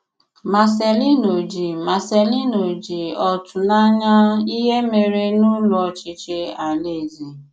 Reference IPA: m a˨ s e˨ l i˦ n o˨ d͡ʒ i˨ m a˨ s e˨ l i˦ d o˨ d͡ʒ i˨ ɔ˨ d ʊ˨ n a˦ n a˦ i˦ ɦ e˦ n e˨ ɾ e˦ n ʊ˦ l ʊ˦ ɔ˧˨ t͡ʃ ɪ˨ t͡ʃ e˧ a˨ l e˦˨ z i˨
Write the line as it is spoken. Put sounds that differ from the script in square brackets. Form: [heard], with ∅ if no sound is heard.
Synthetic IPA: m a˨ s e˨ l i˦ n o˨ d͡ʒ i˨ m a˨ s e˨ l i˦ [n] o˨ d͡ʒ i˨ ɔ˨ [t] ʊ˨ n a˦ [ɲ] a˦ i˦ ɦ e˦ [m] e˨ ɾ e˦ n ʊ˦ l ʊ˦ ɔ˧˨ t͡ʃ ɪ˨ t͡ʃ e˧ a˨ l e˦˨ z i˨